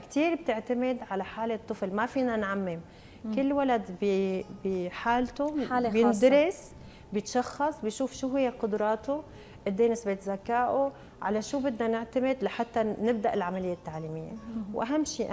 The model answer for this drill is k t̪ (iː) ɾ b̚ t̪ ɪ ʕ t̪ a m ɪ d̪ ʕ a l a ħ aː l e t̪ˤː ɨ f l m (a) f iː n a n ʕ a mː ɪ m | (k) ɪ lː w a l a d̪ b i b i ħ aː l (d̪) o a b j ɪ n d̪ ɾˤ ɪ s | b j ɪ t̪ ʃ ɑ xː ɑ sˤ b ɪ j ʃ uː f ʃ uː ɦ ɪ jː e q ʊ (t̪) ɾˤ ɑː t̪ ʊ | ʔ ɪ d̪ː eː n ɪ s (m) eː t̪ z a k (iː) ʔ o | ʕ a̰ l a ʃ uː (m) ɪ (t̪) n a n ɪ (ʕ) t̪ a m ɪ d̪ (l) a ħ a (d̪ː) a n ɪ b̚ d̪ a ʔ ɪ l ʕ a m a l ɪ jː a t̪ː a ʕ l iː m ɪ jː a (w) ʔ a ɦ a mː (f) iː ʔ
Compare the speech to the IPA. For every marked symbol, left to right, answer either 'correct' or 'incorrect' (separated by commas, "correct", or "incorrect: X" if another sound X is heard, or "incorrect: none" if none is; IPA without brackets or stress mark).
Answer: correct, correct, correct, incorrect: t̪, incorrect: d̪, incorrect: b, incorrect: aː, incorrect: b, incorrect: d̪, correct, correct, incorrect: t̪ː, correct, incorrect: ʃ